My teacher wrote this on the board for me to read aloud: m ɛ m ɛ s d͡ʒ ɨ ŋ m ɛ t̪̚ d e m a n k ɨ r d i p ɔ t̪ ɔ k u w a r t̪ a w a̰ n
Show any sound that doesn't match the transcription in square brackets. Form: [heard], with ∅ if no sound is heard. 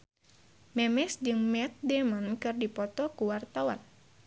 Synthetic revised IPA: m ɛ m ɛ s d͡ʒ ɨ ŋ m ɛ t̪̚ d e m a n k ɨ r d i p ɔ t̪ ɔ k u w a r t̪ a w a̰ n